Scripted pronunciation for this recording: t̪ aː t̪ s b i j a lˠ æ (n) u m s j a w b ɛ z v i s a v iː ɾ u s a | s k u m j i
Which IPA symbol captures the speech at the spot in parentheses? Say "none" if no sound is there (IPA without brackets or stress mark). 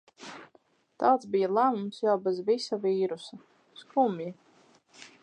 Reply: m